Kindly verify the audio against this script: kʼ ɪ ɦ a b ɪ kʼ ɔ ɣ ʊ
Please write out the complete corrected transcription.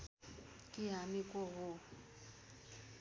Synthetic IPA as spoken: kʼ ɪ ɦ a m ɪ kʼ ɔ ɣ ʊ